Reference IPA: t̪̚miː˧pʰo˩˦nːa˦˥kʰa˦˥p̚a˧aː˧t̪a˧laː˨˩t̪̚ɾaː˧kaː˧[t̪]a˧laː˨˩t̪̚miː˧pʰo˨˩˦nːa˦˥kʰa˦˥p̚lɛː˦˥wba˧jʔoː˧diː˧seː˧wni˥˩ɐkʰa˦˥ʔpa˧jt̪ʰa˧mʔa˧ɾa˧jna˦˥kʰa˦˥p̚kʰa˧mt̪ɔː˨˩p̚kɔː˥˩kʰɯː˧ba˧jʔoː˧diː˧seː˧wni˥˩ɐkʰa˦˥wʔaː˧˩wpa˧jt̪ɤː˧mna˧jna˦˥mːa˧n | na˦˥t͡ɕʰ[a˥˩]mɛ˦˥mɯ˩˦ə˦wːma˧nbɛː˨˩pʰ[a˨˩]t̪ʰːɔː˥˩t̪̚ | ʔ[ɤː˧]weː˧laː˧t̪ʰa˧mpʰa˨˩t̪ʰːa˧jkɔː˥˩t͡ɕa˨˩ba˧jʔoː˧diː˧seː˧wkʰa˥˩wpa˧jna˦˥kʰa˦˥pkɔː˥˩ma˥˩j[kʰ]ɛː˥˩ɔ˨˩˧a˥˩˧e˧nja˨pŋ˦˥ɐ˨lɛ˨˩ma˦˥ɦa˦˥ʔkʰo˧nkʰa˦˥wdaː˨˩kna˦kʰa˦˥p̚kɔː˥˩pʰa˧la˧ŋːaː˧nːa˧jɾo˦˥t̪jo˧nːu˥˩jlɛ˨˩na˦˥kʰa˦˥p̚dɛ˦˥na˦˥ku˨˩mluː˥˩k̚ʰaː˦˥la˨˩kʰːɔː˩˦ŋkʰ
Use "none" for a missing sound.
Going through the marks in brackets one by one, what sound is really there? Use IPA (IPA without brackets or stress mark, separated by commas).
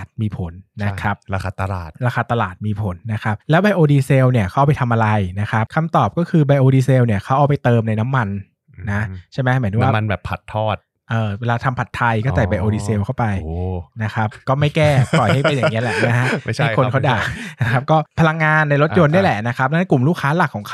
t̪, a˥˩, a˨˩, ɤː˧, k